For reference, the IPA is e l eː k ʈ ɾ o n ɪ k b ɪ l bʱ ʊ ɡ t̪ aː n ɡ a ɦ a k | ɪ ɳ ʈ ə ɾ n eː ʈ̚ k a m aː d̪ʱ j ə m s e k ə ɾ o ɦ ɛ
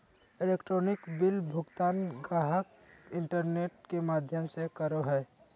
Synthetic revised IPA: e l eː k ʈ ɾ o n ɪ k b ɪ l bʱ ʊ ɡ t̪ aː n ɡ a ɦ ə k | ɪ ɳ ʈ ə ɾ n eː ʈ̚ k e m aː d̪ʱ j ə m s e k ə ɾ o ɦ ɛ